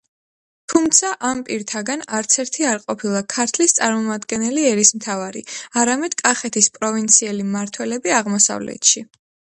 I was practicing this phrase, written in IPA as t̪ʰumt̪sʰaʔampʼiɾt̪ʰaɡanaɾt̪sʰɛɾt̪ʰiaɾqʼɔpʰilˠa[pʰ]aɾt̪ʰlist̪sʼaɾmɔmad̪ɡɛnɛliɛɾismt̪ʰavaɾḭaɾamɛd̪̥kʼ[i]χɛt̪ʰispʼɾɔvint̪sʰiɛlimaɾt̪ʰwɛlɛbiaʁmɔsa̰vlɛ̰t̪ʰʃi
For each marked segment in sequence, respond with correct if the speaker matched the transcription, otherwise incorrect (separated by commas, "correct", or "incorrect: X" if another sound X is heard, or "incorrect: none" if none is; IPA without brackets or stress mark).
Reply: incorrect: kʰ, incorrect: a